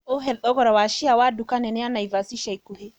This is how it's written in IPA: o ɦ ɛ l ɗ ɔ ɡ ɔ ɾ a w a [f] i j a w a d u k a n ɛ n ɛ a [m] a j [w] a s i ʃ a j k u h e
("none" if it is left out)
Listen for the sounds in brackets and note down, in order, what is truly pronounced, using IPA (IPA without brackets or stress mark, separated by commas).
ʃ, n, v